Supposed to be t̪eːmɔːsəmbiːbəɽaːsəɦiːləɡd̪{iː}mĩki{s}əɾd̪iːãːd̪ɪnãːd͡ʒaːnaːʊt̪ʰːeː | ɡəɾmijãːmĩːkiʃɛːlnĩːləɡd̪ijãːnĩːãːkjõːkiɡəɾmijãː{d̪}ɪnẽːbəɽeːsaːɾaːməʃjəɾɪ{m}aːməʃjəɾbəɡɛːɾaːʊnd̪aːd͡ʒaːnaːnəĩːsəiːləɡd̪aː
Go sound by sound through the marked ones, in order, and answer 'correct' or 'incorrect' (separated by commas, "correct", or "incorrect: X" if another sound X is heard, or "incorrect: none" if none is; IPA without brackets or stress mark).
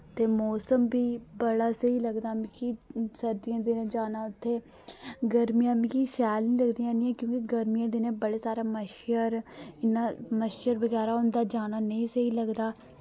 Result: incorrect: aː, correct, correct, incorrect: n